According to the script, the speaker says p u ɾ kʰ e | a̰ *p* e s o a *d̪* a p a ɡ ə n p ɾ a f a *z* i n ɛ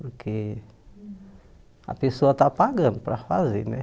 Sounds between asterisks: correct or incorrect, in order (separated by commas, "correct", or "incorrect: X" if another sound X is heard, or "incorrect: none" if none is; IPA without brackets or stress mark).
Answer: correct, incorrect: t̪, correct